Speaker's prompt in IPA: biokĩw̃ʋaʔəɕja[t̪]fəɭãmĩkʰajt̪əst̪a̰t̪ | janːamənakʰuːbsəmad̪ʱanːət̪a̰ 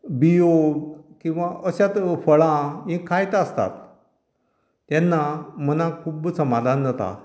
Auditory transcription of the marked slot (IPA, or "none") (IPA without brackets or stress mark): t̪